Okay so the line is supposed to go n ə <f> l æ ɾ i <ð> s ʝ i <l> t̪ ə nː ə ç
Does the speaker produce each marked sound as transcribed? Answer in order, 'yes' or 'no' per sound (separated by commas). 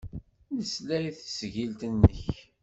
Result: no, no, yes